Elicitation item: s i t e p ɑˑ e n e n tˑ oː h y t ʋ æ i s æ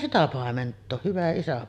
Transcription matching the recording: s i t æ p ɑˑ e m e n tˑ oː h y ʋ æ i s æ

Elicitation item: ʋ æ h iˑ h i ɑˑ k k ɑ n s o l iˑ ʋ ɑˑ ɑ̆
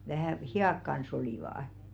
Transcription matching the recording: ʋ æ h æˑ h i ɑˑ k k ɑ n s o l iˑ ʋ ɑˑ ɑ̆

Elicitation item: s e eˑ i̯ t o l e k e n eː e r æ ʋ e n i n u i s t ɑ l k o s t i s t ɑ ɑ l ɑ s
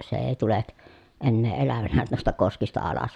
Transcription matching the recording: s e eˑ i̯ t u l e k e nː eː e l æ ʋ æ n æ n u i s t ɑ k o s k i s t ɑ ɑ l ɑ s

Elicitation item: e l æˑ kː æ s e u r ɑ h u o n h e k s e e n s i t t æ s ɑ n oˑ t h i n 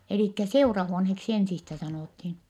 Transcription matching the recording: e l iˑ kː æ s e u r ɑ h u o n h e k s i e n s i s t æ s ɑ n oˑ t h i n

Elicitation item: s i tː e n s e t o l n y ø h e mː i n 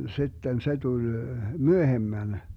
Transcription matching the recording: s i tː e n s e t u l m y ø h e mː æ n

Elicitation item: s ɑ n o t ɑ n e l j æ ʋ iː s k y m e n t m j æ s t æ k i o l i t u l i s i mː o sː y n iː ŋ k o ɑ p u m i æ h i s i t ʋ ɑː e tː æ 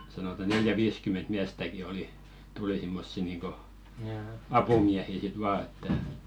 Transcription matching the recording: s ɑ n o t ɑ n e l j æ ʋ iː s k y m e n t m i æ s t æ k i o l i t u l i s i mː o sː i n iː ŋ k o ɑ p u m i æ h i s i t ʋ ɑː e tː æ

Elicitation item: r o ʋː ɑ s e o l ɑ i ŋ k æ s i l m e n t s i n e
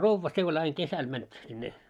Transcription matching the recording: r o ʋː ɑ s e o l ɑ i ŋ k e s æ l m æ n t s i nː e

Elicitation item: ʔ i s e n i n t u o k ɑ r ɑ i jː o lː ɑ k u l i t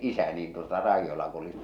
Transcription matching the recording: ʔ i s æ n iː n t u o t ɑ r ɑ i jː o l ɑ k u l i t

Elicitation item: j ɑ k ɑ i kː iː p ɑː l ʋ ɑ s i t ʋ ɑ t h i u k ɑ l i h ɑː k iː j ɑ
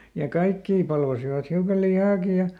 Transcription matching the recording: j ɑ k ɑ i kː iː p ɑ l ʋ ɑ s i ʋ ɑ t h i u k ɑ l i h ɑː k i j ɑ

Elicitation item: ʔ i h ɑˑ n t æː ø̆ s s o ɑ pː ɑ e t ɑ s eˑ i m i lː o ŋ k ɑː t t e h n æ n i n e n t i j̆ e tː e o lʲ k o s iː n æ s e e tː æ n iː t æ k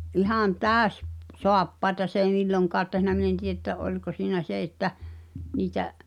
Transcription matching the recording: ʔ i h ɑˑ n t æː ø̆ s s o ɑ pː ɑ e t ɑ s eˑ i m i lː o ŋ k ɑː t t e h n æ m i n e n t i j̆ e tː æ o lʲ k o s iː n æ s e e tː æ n iː t æ ʔ

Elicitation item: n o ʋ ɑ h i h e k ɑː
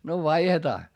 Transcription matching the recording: n o ʋ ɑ i h e t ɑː

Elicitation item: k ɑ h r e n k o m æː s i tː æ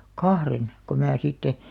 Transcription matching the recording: k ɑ h r e n k o m æː s i tː e

